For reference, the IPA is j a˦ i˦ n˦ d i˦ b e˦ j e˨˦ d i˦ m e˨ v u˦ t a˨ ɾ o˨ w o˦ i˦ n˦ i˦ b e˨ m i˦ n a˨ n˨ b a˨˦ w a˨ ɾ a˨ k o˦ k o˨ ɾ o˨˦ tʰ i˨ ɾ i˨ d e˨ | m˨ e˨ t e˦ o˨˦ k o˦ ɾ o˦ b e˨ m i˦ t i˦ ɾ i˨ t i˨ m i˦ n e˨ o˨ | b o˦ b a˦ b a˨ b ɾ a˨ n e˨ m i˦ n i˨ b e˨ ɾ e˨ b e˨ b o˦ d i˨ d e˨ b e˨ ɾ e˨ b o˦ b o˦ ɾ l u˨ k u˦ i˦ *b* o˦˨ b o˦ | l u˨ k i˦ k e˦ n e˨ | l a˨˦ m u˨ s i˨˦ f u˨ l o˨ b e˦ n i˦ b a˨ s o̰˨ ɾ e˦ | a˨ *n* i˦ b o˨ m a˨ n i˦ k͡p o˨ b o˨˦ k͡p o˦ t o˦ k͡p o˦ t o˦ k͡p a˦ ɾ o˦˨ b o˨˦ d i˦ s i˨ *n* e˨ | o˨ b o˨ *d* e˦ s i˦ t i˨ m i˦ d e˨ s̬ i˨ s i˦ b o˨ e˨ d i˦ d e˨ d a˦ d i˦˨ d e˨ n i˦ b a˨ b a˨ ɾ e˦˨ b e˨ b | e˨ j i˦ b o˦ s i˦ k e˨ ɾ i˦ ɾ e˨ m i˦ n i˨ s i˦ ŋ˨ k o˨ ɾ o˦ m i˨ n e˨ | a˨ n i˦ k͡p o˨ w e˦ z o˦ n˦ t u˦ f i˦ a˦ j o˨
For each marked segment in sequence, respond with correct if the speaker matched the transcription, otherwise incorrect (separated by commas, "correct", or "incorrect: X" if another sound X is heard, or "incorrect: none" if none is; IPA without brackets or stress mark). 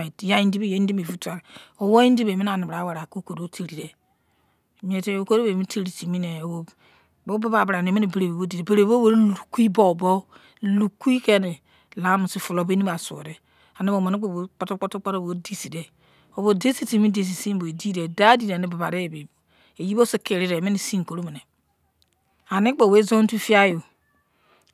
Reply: correct, correct, incorrect: d, correct